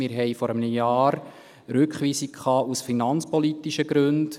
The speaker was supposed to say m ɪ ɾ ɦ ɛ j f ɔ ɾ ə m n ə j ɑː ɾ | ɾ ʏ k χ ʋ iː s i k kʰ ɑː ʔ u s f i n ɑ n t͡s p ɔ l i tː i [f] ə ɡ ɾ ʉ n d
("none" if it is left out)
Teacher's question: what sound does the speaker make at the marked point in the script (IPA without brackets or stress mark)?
ʃ